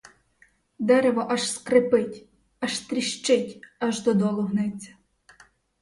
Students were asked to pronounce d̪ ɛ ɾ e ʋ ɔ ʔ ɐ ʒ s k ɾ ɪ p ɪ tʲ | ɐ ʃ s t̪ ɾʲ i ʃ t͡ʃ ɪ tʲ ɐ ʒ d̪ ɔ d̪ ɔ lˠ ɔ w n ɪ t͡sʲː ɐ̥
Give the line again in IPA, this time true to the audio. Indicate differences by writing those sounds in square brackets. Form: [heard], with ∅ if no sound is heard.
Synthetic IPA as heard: d̪ ɛ ɾ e ʋ ɔ ʔ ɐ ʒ s k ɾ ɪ p ɪ tʲ | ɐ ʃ s t̪ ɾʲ i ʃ t͡ʃ ɪ tʲ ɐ ʒ d̪ ɔ d̪ ɔ lˠ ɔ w n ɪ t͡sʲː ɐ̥

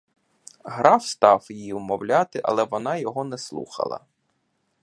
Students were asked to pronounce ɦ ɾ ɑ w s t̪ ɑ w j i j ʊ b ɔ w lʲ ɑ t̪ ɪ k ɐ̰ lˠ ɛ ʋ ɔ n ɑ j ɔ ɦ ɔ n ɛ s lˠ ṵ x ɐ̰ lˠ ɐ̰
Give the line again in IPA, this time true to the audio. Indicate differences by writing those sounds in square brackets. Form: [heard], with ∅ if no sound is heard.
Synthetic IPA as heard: ɦ ɾ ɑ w s t̪ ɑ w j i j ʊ [m] ɔ w lʲ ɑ t̪ ɪ [ʔ] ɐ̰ lˠ ɛ ʋ ɔ n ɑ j ɔ ɦ ɔ n ɛ s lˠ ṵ x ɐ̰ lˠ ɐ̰

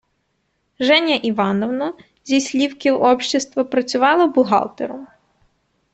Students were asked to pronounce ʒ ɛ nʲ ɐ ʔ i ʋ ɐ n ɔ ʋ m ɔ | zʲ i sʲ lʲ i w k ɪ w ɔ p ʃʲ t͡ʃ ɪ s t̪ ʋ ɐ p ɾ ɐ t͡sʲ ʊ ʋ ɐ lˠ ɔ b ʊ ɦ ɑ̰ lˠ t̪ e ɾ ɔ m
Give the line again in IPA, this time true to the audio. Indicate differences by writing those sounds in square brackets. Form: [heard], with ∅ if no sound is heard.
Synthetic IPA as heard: ʒ ɛ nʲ ɐ ʔ i ʋ [ɑ] n ɔ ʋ [n] ɔ | zʲ i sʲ lʲ i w k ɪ w ɔ p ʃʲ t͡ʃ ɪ s t̪ ʋ ɐ p ɾ ɐ t͡sʲ ʊ ʋ [ɑ] lˠ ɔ b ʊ ɦ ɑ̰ lˠ t̪ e ɾ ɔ m

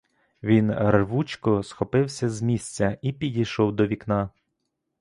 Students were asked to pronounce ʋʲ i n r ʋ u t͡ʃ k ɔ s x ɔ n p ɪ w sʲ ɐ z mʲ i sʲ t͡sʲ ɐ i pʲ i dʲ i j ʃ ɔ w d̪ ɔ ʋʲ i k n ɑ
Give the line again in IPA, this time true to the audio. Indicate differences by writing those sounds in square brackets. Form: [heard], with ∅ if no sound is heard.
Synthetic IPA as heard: ʋʲ i n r ʋ u t͡ʃ k ɔ s x ɔ [∅] p ɪ w sʲ ɐ z mʲ i sʲ t͡sʲ ɐ i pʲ i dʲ i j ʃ ɔ w d̪ ɔ ʋʲ i k n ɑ

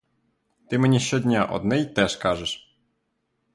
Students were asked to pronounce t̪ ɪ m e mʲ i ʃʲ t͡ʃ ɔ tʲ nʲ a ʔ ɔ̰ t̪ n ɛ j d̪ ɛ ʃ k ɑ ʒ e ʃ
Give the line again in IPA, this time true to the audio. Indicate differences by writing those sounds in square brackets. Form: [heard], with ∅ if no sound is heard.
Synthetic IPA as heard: t̪ ɪ m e [nʲ] i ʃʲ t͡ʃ ɔ [dʲ] nʲ a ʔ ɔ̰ [d̪] n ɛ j [t̪] ɛ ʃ k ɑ ʒ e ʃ

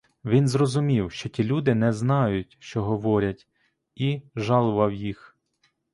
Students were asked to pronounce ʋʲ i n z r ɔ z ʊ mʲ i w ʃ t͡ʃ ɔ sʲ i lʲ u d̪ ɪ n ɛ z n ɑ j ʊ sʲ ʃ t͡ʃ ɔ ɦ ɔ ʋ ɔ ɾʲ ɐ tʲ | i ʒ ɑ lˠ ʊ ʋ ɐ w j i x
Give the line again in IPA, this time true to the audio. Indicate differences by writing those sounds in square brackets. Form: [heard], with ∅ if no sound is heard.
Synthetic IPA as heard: ʋʲ i n z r ɔ z ʊ mʲ i w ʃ t͡ʃ ɔ [tʲ] i lʲ u d̪ ɪ n ɛ z n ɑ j ʊ [tʲ] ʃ t͡ʃ ɔ ɦ ɔ ʋ ɔ ɾʲ ɐ tʲ | i ʒ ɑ lˠ ʊ ʋ ɐ w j i x

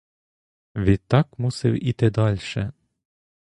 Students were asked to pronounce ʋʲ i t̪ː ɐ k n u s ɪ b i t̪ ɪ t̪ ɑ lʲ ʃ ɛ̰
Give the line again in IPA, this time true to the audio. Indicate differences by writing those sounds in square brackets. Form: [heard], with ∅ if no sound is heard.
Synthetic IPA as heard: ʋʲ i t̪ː [ɑ] k [m] u s ɪ [w] i t̪ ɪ [d̪] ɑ lʲ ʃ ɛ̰

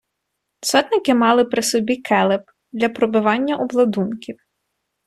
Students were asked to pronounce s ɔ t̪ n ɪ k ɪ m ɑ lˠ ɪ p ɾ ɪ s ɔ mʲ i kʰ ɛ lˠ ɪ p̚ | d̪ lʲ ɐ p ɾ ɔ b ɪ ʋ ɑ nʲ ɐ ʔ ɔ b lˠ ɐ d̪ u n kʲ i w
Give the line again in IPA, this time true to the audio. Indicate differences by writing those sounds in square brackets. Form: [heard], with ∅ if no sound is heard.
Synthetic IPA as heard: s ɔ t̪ n ɪ k ɪ m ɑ lˠ ɪ p ɾ ɪ s ɔ [bʲ] i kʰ ɛ lˠ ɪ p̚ | d̪ lʲ ɐ p ɾ ɔ b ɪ ʋ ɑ [nʲː] ɐ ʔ ɔ b lˠ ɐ d̪ u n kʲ i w

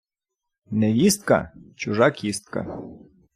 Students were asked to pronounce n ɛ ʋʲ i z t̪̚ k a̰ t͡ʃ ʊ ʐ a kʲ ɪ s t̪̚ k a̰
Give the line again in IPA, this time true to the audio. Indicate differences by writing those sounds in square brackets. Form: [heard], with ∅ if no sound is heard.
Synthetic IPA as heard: n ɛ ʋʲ i [s] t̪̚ k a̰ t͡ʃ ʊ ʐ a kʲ [i] s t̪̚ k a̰

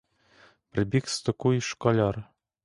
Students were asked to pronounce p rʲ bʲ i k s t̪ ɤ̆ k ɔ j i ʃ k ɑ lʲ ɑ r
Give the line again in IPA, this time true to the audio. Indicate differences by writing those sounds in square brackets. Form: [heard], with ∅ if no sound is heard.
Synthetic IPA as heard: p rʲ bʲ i k s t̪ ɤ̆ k [u] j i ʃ k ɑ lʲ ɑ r

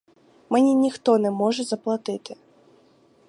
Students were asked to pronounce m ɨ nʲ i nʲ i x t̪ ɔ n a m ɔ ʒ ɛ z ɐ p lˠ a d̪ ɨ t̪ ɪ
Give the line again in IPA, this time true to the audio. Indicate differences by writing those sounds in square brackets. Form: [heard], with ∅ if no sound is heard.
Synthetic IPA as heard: m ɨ nʲ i nʲ i x t̪ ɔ n [ɛ] m ɔ [ʐ] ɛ z ɐ p lˠ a [t̪] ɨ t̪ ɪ

